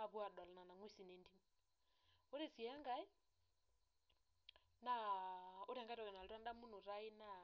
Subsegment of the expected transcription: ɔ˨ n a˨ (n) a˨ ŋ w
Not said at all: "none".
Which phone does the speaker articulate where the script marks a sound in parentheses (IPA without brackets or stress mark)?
n